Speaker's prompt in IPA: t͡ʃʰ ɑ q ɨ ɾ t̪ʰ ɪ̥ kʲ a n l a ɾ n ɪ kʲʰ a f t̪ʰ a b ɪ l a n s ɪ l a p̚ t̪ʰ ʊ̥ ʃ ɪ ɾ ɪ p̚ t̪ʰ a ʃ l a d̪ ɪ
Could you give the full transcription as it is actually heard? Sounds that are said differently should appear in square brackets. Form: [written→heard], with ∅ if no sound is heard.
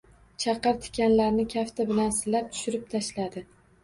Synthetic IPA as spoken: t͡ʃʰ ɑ q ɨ ɾ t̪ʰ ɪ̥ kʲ a n l a ɾ n ɪ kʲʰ a f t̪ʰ a b ɪ l a n s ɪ l a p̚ t̪ʰ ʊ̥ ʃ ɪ ɾ ɪ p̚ t̪ʰ a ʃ l a d̪ ɪ